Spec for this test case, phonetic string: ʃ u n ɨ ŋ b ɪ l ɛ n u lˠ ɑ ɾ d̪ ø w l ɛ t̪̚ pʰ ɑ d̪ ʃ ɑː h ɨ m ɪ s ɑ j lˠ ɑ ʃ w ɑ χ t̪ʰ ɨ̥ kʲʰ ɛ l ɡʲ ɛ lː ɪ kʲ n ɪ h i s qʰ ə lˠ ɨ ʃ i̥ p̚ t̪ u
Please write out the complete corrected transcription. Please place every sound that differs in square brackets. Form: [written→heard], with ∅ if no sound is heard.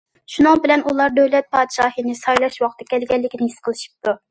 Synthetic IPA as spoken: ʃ u n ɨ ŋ b ɪ l ɛ n u lˠ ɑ ɾ d̪ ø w l ɛ t̪̚ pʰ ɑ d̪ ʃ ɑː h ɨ [m→n] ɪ s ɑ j lˠ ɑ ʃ w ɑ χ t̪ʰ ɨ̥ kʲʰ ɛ l ɡʲ ɛ lː ɪ kʲ n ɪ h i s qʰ ə lˠ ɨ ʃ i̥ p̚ t̪ u